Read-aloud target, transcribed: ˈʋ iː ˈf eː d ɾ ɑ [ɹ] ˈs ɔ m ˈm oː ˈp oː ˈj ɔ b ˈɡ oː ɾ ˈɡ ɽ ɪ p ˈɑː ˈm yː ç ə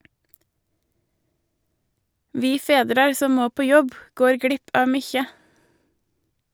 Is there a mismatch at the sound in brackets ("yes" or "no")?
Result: yes